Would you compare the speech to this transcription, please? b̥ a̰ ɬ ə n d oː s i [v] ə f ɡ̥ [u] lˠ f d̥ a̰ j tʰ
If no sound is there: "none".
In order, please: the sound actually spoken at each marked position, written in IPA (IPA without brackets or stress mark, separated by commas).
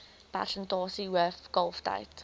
w, ɔ